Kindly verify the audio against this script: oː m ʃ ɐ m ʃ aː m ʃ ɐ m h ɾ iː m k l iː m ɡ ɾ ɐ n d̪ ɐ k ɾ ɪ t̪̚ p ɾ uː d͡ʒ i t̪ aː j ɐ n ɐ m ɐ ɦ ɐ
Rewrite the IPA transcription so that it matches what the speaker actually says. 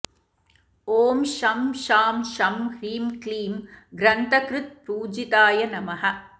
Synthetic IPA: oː m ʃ ɐ m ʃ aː m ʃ ɐ m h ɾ iː m k l iː m ɡ ɾ ɐ n t̪ ɐ k ɾ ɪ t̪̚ p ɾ uː d͡ʒ i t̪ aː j ɐ n ɐ m ɐ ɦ ɐ